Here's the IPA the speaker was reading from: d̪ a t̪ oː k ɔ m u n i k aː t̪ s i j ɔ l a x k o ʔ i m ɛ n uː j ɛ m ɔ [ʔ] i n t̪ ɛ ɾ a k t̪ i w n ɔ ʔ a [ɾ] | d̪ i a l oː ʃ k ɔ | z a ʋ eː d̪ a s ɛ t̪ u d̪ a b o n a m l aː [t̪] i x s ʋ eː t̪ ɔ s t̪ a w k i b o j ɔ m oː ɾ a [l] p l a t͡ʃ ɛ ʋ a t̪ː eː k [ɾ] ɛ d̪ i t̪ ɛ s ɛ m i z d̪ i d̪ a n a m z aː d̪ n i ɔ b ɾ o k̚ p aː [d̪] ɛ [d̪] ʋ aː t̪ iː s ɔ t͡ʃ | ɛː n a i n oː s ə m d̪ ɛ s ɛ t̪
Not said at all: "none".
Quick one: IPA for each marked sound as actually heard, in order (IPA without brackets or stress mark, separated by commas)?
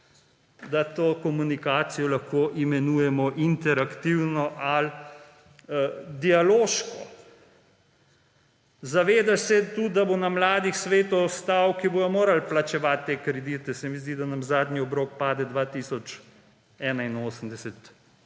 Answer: ʔ, l, d̪, l, ɾ, d̪, d̪